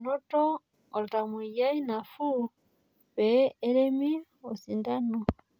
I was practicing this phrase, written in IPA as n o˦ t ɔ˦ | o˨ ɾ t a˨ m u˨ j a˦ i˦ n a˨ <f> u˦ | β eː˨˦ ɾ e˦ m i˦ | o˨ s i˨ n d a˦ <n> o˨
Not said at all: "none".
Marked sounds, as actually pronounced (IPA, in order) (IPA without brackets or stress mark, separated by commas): f, n